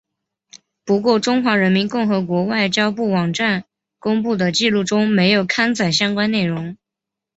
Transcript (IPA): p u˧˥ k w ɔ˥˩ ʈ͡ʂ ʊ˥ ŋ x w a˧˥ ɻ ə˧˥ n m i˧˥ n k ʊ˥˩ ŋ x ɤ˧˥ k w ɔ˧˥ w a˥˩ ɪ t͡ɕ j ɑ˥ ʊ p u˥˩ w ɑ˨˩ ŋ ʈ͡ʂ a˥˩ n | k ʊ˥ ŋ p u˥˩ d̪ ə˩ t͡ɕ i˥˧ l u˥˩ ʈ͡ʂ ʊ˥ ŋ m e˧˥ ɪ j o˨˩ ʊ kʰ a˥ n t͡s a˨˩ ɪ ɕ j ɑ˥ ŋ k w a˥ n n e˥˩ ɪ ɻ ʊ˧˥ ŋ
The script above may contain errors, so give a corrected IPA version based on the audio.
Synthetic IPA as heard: p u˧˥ k w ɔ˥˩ ʈ͡ʂ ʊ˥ ŋ x w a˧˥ ɻ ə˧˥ n m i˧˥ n k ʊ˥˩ ŋ x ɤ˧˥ k w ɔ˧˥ w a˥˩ ɪ t͡ɕ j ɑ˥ ʊ p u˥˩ w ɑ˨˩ ŋ ʈ͡ʂ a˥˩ n | k ʊ˥ ŋ p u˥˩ d̪ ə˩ t͡ɕ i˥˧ l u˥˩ ʈ͡ʂ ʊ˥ ŋ m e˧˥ ɪ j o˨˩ ʊ kʰ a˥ n t͡s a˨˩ ɪ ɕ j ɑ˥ ŋ k w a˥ n n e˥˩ ɪ ɻ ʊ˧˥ ŋ